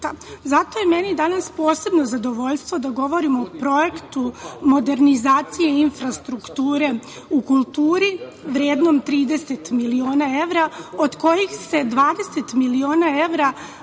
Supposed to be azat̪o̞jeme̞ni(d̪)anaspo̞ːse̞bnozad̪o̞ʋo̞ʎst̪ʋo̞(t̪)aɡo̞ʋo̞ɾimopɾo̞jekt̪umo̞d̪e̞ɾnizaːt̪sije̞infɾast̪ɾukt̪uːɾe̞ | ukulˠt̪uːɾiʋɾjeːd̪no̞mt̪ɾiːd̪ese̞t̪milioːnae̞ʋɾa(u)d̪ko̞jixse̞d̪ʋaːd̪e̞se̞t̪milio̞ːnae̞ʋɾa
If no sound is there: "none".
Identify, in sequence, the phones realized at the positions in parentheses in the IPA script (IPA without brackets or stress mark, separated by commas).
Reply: d̪, d̪, o